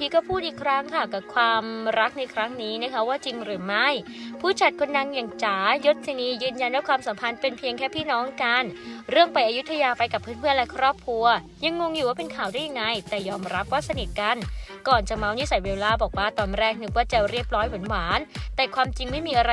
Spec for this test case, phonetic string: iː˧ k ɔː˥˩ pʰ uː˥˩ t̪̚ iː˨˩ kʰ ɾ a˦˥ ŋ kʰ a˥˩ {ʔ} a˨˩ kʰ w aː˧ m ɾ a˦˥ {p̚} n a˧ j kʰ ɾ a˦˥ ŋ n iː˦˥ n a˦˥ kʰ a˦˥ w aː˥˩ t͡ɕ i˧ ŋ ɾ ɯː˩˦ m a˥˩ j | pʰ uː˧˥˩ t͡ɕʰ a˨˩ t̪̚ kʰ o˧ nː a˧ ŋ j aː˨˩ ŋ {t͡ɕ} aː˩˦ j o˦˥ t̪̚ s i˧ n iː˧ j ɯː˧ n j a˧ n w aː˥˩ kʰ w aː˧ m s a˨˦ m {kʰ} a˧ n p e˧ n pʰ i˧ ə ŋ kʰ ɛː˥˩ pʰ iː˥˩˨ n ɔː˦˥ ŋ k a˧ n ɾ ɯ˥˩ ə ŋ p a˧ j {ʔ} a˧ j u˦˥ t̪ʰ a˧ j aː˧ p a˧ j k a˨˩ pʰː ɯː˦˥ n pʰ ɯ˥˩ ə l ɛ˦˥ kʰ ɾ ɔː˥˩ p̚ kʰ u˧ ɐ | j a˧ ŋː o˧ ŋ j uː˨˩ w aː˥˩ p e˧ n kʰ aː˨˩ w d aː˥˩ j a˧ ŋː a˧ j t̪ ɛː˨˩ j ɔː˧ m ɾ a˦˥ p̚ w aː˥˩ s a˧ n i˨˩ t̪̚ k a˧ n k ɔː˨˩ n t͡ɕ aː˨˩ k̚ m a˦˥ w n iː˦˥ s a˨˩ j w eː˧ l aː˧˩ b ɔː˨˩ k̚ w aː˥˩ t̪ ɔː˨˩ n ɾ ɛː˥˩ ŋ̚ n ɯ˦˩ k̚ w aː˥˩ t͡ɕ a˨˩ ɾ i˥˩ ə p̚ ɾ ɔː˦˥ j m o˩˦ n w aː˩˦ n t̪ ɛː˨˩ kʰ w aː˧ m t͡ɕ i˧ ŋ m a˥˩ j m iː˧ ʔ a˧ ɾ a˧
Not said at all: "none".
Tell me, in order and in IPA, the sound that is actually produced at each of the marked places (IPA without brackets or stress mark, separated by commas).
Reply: k, k̚, t͡ɕ, pʰ, ʔ